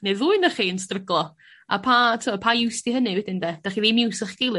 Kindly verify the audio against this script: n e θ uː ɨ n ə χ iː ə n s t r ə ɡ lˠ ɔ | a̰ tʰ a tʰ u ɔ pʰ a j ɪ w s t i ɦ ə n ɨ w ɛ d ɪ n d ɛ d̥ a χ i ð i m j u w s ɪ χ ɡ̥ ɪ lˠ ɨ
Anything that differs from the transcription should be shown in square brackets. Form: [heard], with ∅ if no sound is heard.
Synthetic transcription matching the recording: n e [ð] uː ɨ n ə χ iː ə n s t r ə ɡ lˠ ɔ | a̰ [pʰ] a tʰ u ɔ pʰ a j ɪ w s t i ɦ ə n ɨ w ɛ d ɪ n d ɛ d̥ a χ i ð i m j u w s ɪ χ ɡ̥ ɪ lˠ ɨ